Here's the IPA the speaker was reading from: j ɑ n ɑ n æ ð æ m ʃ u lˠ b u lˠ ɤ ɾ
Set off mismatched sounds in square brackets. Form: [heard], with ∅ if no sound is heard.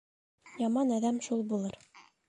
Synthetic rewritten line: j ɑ [m] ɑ n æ ð æ m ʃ u lˠ b u lˠ ɤ ɾ